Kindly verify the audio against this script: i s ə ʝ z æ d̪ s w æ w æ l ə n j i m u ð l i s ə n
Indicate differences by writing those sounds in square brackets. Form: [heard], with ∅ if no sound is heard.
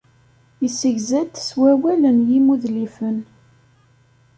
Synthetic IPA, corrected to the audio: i s ə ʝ z æ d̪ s w æ w æ l ə n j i m u ð l i [f] ə n